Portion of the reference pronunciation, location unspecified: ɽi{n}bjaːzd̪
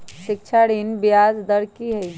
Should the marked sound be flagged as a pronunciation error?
no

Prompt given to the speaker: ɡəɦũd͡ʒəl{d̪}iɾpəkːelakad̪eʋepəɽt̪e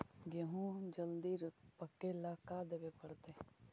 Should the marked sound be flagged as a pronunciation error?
no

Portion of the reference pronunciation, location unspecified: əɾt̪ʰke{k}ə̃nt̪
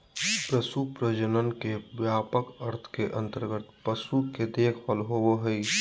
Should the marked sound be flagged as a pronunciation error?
yes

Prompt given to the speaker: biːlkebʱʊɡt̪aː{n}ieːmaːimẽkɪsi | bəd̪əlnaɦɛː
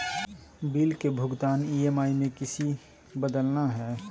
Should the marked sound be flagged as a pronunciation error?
no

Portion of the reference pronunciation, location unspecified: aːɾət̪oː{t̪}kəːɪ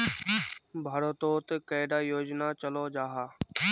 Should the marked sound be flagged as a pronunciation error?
no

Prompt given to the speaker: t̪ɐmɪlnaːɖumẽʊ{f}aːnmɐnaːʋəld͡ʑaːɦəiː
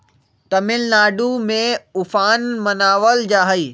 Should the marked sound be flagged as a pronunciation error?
no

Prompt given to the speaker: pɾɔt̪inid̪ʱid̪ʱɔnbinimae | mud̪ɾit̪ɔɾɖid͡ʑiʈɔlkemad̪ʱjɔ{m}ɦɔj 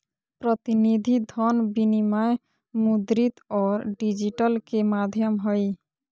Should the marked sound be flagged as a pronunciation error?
no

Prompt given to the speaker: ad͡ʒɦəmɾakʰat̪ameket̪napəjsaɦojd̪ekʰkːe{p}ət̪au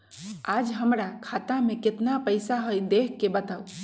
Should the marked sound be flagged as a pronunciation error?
yes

